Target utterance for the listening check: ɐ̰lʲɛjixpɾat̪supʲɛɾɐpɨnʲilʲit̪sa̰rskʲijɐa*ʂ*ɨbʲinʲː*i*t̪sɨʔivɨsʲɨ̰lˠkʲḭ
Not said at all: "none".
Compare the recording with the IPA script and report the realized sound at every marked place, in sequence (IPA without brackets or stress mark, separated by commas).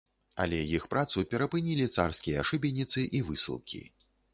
ʂ, i